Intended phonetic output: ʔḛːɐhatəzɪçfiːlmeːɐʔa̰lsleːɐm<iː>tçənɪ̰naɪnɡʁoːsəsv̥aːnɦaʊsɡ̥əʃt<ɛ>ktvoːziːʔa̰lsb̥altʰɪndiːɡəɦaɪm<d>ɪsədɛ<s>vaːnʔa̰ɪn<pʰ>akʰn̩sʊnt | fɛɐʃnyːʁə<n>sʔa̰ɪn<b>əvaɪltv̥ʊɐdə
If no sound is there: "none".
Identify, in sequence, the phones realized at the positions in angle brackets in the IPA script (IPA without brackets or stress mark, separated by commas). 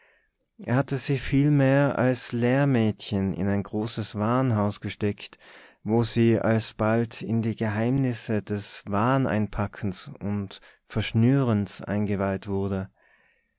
ɛː, ɛ, n, s, pʰ, n, ɡ